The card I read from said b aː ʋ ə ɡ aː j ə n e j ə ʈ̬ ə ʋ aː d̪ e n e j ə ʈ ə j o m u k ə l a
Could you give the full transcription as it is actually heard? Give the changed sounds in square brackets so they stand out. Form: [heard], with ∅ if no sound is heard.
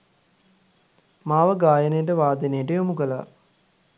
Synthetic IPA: [m] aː ʋ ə ɡ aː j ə n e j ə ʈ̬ ə ʋ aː d̪ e n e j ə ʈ ə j o m u k ə l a